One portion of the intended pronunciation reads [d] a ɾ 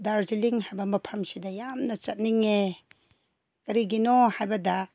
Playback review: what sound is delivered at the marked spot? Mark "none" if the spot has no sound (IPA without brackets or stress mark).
d